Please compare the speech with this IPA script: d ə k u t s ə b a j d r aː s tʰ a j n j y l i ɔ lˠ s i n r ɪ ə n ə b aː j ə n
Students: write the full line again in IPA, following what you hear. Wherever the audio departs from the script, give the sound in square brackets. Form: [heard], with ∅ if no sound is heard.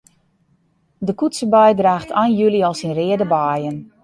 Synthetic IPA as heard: d ə k u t s ə b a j d r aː [x] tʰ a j n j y l i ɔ lˠ s i n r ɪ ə [d] ə b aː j ə n